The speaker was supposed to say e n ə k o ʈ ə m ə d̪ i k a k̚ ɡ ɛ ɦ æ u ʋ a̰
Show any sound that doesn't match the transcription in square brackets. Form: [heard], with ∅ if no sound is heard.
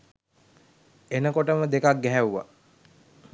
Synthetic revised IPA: e n ə k o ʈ ə m ə d̪ [e] k a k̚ ɡ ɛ ɦ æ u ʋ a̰